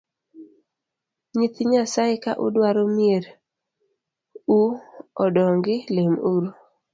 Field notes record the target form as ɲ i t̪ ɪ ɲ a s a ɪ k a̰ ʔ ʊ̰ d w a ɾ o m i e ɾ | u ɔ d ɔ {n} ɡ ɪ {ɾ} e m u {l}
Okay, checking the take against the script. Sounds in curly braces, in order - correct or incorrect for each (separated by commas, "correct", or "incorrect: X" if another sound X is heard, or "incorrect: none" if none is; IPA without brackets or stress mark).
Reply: incorrect: ŋ, incorrect: l, incorrect: ɾ